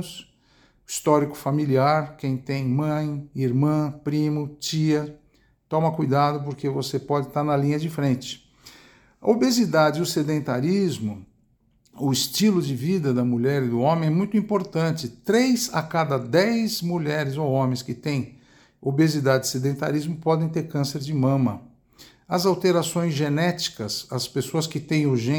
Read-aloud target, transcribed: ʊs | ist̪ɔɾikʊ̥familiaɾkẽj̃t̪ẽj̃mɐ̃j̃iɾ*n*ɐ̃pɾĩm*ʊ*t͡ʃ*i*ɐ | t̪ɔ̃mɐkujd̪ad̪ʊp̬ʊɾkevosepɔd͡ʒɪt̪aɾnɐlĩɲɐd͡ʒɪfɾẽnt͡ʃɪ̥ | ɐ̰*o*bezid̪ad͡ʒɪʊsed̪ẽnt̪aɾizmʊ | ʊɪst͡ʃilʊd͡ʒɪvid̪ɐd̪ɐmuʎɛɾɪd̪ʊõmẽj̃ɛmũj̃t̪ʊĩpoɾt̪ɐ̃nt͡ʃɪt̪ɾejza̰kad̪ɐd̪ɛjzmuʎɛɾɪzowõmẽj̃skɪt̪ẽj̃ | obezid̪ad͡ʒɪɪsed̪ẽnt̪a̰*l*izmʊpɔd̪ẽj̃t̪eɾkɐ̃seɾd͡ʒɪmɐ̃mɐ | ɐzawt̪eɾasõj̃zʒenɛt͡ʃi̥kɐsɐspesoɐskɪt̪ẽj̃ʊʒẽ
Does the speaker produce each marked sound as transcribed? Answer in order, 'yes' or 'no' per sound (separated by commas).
no, yes, yes, yes, no